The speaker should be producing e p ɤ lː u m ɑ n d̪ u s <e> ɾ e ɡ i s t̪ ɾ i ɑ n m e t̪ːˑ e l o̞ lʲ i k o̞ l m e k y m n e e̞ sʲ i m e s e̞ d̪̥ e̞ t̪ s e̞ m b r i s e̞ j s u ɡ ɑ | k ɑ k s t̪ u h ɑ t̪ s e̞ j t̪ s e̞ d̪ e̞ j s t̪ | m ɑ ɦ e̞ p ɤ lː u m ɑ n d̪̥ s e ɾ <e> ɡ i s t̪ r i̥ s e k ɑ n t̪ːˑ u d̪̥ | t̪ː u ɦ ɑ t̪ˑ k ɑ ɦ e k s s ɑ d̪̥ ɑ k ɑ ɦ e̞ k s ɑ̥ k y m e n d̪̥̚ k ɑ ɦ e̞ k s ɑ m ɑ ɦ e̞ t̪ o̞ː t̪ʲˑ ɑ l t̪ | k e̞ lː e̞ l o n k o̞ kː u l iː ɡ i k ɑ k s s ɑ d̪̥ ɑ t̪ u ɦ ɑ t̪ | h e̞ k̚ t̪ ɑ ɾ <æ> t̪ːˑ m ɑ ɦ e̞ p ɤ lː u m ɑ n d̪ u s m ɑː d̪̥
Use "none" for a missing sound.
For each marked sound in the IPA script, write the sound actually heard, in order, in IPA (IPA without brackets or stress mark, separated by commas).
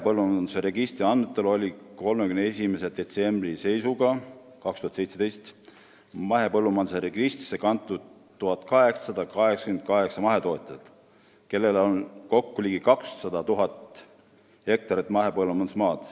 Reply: e, e, i